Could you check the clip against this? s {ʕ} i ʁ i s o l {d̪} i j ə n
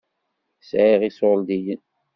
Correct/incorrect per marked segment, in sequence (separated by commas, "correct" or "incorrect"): correct, correct